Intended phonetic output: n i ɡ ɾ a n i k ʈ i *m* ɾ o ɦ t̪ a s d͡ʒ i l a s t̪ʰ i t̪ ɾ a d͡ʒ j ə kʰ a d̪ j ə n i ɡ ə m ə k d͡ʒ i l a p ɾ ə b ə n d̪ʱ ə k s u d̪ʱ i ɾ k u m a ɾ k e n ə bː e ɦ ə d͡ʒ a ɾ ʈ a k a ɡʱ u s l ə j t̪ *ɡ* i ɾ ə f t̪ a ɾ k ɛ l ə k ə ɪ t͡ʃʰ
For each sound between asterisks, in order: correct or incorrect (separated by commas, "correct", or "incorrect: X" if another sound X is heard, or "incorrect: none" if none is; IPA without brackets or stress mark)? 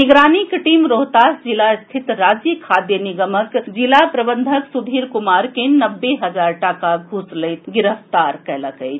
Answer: correct, correct